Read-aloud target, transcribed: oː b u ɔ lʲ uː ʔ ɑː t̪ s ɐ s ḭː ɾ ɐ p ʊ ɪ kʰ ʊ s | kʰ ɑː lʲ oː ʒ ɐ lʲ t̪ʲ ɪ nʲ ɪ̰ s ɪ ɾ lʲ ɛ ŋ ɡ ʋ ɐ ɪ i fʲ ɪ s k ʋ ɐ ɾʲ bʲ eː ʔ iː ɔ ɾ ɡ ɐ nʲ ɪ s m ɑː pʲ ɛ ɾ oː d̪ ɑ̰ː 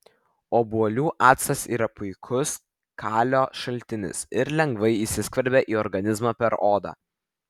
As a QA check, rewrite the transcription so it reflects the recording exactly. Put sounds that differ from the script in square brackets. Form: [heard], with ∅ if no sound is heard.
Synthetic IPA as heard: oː b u ɔ lʲ uː ʔ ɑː t̪ s ɐ s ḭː ɾ ɐ p ʊ ɪ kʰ ʊ s | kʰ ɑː lʲ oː [ʃ] ɐ lʲ t̪ʲ ɪ nʲ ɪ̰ s ɪ ɾ lʲ ɛ ŋ ɡ ʋ ɐ ɪ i [sʲ] ɪ s k ʋ ɐ ɾʲ bʲ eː ʔ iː ɔ ɾ ɡ ɐ nʲ ɪ [z] m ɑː pʲ ɛ ɾ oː d̪ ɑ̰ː